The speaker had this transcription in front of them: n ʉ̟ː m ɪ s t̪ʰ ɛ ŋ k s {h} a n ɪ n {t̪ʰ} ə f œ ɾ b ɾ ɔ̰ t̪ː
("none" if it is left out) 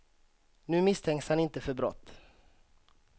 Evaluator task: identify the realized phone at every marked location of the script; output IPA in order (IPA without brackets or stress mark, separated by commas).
h, t̪